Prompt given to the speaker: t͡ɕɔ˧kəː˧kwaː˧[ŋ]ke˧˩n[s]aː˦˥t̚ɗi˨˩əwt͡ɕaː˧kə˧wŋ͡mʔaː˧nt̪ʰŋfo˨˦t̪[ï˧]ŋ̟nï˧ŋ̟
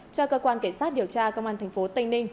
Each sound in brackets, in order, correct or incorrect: incorrect, correct, correct

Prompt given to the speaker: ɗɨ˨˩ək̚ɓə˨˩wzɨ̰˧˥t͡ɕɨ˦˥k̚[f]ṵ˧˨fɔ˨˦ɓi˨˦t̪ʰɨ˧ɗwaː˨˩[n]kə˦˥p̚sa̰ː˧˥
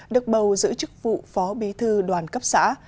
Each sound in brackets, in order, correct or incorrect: incorrect, correct

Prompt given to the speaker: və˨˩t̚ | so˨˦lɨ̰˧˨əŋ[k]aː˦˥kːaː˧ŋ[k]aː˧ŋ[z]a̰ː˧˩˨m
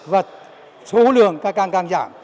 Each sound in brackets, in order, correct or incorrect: correct, correct, correct

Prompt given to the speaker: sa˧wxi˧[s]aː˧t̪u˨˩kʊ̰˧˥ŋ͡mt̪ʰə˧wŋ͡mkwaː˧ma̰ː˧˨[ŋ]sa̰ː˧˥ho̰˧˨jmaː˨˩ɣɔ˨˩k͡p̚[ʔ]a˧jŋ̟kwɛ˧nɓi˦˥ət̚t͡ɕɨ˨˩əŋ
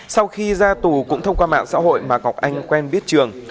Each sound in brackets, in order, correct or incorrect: incorrect, incorrect, correct

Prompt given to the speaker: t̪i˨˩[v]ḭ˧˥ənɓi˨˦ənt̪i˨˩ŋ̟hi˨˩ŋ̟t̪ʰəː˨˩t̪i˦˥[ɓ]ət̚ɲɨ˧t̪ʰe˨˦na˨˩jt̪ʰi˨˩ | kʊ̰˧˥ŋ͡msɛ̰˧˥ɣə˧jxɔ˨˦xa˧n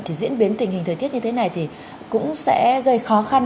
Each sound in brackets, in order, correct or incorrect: incorrect, incorrect

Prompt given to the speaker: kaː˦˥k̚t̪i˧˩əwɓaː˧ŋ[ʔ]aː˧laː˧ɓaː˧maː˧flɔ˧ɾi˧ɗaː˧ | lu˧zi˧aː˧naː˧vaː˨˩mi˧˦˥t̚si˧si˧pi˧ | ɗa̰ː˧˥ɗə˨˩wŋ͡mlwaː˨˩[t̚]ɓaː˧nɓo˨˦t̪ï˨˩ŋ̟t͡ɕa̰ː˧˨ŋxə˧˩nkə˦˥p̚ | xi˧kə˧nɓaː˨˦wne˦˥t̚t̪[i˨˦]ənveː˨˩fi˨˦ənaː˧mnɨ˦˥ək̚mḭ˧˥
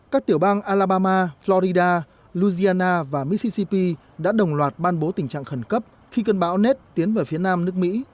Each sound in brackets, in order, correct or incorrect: correct, correct, correct

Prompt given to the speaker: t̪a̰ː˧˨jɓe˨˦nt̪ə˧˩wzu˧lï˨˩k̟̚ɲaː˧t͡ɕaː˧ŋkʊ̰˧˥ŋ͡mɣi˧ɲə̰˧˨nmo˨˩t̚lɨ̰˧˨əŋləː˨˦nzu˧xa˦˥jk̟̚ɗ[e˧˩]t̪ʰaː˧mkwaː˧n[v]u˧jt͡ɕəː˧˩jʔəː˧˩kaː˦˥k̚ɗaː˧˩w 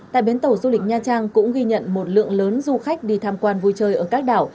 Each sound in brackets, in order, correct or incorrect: incorrect, correct

